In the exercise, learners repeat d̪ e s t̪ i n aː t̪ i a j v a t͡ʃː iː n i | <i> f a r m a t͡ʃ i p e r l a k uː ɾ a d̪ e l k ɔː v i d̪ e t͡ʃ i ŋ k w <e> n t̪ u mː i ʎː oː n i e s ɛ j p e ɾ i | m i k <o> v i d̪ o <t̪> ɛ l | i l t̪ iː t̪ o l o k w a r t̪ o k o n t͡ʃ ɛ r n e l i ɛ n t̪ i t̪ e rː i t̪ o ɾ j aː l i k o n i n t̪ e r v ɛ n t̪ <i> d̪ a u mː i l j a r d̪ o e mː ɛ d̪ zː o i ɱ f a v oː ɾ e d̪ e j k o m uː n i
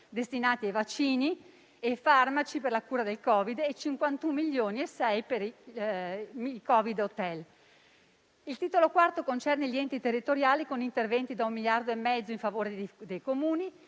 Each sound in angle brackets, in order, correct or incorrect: incorrect: e, incorrect: a, incorrect: ɔ, correct, correct

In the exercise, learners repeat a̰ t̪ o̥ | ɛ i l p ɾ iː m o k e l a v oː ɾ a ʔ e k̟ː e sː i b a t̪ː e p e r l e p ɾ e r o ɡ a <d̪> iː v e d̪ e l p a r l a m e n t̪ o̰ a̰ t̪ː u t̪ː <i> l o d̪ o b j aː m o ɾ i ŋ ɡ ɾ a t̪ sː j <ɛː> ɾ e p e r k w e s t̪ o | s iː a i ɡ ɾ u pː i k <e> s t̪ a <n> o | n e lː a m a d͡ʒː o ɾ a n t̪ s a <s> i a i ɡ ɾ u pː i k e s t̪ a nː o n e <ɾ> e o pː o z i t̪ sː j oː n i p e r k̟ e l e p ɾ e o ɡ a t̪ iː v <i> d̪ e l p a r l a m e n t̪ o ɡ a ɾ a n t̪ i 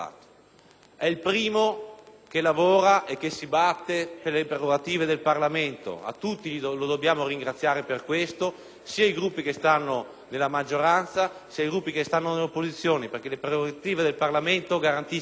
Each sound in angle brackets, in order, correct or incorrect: incorrect: t̪, correct, incorrect: aː, correct, incorrect: nː, correct, incorrect: l, incorrect: e

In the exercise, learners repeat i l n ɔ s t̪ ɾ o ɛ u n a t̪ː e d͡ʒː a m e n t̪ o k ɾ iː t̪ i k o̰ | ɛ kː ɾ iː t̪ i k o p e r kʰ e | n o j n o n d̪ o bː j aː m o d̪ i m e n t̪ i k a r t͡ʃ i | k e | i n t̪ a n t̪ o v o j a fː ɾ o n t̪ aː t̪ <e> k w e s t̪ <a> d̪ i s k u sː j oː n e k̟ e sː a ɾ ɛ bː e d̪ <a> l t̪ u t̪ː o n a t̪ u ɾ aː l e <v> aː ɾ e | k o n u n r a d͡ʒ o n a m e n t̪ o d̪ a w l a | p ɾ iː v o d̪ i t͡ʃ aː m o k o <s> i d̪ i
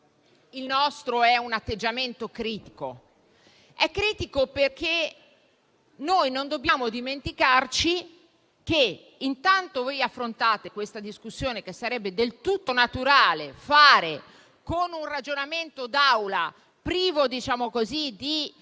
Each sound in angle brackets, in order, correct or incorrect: correct, correct, incorrect: e, incorrect: f, incorrect: z

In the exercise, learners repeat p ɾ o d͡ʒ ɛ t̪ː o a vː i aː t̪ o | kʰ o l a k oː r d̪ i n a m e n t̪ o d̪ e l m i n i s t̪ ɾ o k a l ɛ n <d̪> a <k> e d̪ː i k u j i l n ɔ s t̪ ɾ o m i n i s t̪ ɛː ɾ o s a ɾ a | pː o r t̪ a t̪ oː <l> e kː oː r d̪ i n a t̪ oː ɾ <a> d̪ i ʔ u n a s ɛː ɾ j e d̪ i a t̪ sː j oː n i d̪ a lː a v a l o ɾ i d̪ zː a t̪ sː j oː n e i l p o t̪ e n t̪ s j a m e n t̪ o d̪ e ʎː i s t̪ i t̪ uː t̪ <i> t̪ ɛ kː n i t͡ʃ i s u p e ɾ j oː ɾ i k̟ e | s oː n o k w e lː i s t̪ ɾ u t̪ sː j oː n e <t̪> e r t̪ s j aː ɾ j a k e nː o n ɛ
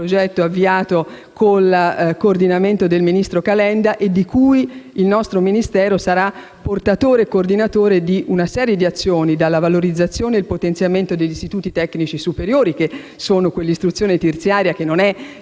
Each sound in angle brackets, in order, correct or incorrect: correct, incorrect: ʔ, incorrect: ɾ, incorrect: e, correct, correct

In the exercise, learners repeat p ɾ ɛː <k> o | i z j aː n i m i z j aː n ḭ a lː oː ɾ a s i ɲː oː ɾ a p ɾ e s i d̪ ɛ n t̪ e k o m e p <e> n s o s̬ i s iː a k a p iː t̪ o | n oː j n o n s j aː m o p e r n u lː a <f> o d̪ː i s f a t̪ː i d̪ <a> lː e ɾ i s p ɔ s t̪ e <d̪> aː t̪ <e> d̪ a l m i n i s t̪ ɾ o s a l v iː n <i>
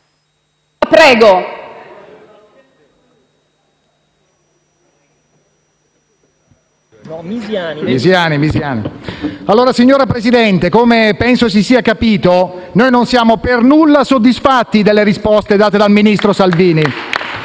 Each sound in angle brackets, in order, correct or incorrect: incorrect: ɡ, incorrect: ɛ, incorrect: s, incorrect: e, correct, correct, correct

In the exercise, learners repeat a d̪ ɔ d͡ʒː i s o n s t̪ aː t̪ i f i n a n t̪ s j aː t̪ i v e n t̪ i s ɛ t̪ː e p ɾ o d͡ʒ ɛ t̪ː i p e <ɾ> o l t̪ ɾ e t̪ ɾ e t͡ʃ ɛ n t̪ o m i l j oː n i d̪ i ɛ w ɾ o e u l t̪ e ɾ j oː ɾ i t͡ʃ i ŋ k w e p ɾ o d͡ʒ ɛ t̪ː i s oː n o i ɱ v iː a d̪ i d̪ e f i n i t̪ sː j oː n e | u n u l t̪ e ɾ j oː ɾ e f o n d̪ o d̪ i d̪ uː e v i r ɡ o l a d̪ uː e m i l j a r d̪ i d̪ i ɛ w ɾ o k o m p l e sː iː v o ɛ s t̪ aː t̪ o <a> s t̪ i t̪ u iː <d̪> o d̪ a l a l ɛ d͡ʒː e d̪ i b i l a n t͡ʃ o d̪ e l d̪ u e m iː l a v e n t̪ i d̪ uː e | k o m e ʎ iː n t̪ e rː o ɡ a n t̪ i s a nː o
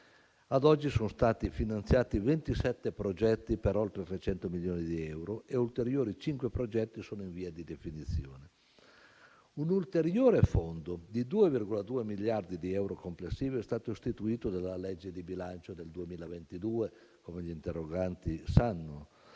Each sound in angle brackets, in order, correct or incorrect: correct, incorrect: i, incorrect: t̪

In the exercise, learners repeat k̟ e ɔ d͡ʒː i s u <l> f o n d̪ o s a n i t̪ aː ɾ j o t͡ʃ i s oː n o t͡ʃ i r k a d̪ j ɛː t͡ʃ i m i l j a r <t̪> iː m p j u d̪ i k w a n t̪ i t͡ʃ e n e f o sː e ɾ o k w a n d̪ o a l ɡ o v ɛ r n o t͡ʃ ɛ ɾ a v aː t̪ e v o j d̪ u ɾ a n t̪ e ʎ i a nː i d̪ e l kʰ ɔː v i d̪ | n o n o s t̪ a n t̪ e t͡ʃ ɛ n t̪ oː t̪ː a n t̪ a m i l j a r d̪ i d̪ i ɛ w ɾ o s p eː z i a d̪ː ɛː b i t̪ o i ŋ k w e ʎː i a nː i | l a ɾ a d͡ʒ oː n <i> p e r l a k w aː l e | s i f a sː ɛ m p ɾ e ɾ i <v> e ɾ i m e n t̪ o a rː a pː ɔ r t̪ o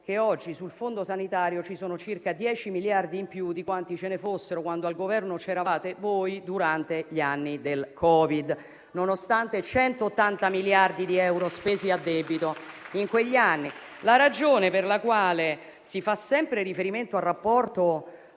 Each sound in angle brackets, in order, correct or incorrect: correct, incorrect: d̪, incorrect: e, incorrect: f

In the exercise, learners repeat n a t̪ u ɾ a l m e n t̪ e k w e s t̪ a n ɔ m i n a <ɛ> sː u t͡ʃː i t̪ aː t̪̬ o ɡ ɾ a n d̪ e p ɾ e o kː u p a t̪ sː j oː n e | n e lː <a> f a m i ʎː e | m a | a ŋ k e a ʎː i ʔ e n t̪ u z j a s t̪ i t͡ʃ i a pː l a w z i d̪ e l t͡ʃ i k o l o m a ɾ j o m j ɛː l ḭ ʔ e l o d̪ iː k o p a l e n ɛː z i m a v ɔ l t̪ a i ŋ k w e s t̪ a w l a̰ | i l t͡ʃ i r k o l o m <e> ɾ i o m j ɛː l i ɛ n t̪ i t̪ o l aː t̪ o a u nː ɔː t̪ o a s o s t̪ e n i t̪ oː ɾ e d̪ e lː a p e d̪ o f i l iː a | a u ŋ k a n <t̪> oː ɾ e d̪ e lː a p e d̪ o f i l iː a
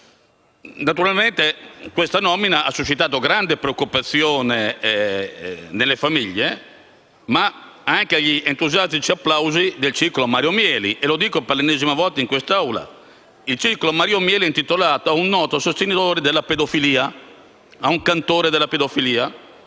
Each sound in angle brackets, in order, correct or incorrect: incorrect: a, incorrect: e, incorrect: a, correct

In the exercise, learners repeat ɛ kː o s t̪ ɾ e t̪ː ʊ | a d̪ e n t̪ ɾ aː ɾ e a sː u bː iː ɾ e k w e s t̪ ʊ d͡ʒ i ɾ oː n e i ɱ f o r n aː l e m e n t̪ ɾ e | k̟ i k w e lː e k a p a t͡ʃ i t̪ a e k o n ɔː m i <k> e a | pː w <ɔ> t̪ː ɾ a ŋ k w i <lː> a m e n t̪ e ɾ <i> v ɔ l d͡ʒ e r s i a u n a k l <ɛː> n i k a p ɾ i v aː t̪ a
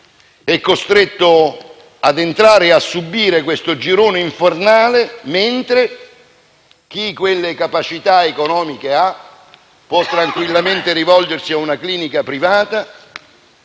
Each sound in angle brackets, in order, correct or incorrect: correct, correct, correct, correct, incorrect: iː

